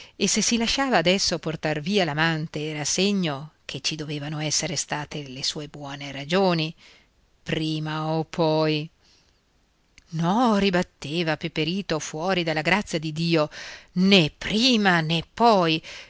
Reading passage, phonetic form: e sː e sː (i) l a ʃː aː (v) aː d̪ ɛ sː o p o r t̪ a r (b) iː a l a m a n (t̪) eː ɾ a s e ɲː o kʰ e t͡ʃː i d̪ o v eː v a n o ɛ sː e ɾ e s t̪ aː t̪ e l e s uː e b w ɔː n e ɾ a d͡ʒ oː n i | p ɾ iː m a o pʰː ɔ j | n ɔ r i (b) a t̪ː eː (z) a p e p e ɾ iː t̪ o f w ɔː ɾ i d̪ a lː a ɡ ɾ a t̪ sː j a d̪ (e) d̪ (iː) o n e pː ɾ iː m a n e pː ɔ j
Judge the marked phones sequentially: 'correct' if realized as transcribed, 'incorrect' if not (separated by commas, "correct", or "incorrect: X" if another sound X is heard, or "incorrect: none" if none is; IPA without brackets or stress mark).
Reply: correct, correct, incorrect: v, correct, correct, incorrect: v, incorrect: i, correct